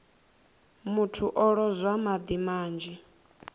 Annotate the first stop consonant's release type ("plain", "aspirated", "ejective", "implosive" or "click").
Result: aspirated